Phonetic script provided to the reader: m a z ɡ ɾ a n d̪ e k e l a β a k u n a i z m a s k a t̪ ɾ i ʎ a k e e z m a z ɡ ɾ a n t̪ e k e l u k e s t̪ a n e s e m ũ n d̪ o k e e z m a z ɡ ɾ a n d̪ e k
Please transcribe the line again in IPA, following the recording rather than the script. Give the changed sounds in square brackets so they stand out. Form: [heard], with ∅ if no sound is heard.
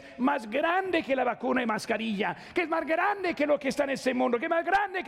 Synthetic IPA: m a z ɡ ɾ a n d̪ e k e l a β a k u n a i [∅] m a s k a [∅] ɾ i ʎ a k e e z m a z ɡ ɾ a n [d̪] e k e l [o] k e s t̪ a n e s e m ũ n d̪ o k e e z m a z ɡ ɾ a n d̪ e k